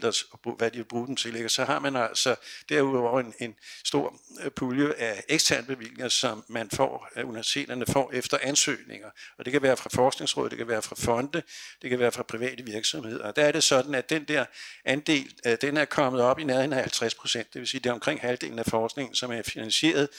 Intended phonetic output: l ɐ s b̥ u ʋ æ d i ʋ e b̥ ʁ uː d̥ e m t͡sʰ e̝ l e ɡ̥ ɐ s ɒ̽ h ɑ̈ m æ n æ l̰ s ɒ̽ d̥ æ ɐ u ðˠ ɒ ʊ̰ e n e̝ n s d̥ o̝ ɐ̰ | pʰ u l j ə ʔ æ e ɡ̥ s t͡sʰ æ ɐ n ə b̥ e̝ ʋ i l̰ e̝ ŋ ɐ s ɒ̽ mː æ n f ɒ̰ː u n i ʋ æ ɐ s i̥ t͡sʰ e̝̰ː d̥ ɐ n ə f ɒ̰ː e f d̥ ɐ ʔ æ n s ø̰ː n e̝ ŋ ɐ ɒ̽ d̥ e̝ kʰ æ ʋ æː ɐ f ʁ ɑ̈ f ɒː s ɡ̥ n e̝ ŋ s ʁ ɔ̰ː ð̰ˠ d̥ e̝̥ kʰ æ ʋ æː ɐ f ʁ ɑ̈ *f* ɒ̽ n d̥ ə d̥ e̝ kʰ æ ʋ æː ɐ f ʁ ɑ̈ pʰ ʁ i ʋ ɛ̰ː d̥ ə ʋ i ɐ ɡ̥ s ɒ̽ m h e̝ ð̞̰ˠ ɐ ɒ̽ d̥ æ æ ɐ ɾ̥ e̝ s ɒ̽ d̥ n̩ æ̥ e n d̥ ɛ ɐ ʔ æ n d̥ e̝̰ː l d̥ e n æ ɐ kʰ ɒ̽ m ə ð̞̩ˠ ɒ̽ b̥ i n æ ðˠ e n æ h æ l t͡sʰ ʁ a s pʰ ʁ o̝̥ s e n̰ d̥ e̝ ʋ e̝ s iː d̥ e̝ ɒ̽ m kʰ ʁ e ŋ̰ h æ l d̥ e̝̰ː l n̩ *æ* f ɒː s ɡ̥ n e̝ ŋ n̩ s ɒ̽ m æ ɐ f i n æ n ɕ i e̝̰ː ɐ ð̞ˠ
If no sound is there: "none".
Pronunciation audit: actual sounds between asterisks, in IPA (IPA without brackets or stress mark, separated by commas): f, æ